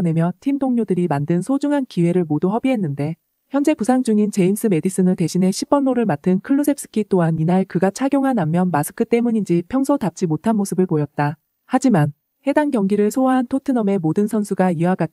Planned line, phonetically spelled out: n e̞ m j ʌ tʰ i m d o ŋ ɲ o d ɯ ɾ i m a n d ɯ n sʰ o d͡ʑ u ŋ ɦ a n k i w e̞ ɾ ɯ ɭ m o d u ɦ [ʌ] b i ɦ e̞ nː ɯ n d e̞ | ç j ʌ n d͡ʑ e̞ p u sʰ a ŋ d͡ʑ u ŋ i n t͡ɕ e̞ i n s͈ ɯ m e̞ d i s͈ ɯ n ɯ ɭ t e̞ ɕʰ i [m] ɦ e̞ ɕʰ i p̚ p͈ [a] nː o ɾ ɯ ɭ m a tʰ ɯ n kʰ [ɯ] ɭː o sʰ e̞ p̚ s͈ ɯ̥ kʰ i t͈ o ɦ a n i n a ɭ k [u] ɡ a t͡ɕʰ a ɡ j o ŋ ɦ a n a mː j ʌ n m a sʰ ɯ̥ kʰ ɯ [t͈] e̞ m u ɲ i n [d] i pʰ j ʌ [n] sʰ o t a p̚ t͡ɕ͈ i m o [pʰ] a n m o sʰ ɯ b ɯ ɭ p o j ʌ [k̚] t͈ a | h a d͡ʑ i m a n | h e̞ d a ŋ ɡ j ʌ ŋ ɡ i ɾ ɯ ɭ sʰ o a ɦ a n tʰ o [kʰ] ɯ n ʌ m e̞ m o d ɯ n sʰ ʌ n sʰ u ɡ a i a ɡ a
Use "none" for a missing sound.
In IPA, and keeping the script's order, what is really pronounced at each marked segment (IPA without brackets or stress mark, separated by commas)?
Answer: ʌ, n, ʌ, ɯ, ɯ, t͈, d͡ʑ, ŋ, tʰ, t̚, tʰ